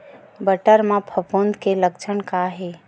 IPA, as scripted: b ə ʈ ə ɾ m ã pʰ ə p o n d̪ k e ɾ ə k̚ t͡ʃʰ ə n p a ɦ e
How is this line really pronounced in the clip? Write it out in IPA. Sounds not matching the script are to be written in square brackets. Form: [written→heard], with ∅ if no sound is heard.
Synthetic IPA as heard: b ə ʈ ə ɾ m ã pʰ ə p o n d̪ k e [ɾ→l] ə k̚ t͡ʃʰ ə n [p→k] a ɦ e